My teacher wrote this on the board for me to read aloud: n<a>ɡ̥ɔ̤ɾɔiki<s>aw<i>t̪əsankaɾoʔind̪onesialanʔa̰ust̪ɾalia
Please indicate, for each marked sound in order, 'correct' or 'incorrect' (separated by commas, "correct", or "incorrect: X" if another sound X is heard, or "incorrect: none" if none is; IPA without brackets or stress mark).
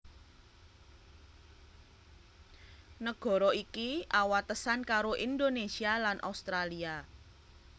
incorrect: ə, incorrect: none, incorrect: a